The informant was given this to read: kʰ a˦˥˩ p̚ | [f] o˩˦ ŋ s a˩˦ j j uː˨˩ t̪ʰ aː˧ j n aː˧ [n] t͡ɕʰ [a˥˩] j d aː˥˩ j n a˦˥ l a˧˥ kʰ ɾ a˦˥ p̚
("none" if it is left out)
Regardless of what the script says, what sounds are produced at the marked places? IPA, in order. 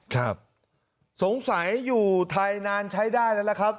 s, n, a˦˥

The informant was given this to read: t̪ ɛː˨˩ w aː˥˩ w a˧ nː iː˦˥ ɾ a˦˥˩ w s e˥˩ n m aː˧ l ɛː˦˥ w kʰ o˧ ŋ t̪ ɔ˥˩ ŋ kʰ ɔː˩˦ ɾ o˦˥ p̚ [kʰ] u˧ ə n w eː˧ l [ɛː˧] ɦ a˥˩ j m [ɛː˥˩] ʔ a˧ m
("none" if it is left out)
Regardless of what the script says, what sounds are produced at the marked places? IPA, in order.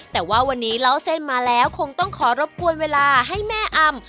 k, aː˧, ɛː˥˩

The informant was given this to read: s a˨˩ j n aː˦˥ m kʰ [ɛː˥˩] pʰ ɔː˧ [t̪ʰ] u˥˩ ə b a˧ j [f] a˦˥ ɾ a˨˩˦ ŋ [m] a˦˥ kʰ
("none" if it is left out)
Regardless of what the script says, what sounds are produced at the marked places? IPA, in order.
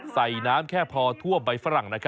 ɛː˥˩, t̪ʰ, f, n

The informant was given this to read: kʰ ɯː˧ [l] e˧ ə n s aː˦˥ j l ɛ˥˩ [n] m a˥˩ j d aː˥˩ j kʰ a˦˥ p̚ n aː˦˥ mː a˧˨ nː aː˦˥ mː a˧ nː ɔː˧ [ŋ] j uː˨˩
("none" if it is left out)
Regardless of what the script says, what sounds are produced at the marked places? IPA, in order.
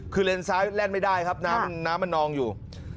l, n, ŋ

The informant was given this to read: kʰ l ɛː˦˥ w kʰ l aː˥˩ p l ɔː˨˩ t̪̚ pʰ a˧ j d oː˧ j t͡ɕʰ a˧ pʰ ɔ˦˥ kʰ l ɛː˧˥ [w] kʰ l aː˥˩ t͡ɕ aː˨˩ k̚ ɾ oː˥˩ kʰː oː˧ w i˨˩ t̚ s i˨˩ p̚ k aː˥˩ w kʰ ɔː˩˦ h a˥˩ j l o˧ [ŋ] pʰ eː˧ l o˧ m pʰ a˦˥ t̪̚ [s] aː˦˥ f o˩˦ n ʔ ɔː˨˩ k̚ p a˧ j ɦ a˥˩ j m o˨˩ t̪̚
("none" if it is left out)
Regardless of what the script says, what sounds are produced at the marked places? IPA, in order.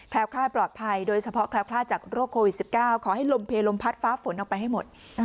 w, m, f

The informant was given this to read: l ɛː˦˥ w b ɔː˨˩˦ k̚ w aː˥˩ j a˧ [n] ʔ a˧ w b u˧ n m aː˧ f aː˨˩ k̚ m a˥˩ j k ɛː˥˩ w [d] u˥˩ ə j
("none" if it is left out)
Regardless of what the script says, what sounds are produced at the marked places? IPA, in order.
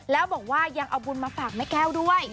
ŋ, d

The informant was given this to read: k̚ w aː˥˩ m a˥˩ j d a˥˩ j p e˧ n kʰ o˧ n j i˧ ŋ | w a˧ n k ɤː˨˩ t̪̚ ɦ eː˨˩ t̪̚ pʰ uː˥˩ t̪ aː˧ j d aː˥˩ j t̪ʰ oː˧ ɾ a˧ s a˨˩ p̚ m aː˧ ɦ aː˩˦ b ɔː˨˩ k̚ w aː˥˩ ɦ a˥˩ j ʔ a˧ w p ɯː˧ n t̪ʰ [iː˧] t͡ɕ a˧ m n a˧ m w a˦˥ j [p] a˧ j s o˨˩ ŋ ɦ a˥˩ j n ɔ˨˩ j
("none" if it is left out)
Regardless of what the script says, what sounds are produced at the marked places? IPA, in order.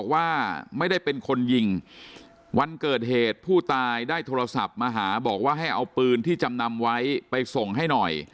iː˥˩, p

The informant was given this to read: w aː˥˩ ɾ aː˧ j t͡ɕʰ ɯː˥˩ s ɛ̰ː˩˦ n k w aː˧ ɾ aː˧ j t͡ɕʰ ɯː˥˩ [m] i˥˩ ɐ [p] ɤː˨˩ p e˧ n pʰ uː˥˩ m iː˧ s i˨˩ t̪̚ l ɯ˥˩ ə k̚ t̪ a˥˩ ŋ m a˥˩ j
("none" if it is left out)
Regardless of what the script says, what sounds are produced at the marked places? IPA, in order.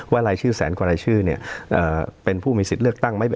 n, ʔ

